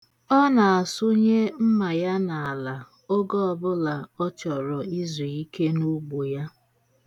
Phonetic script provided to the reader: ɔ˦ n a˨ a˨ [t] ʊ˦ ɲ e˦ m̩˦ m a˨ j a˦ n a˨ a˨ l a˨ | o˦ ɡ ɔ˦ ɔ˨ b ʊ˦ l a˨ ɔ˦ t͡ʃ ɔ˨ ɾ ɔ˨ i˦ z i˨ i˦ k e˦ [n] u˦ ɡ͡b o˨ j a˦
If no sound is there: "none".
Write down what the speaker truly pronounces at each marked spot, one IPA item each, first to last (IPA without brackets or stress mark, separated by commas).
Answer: s, n